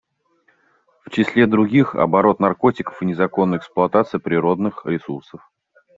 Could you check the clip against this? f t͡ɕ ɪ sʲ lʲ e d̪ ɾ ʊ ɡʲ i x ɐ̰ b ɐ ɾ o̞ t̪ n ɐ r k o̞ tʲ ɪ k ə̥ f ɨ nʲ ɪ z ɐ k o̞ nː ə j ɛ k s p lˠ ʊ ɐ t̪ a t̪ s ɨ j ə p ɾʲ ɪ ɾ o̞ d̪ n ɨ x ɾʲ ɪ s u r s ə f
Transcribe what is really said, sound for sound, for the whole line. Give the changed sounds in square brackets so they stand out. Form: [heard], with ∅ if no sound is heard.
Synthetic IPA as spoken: f t͡ɕ ɪ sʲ lʲ e d̪ ɾ ʊ ɡʲ i x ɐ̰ b ɐ ɾ o̞ t̪ n ɐ r k o̞ tʲ ɪ k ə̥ f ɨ nʲ ɪ z ɐ k o̞ nː ə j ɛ k s p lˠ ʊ ɐ t̪ a t̪ s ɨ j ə p ɾʲ ɪ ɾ o̞ d̪ n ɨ x ɾʲ ɪ s u r s ə f